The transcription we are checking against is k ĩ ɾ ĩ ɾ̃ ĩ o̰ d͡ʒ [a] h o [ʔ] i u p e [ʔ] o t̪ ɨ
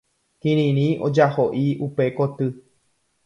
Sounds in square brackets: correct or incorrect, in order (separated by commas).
correct, correct, incorrect